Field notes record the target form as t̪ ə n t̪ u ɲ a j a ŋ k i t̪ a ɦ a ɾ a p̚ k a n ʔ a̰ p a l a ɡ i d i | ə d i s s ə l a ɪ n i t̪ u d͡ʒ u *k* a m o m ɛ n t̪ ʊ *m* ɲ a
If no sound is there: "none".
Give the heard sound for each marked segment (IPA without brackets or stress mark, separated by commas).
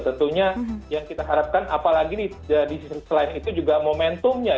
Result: ɡ, m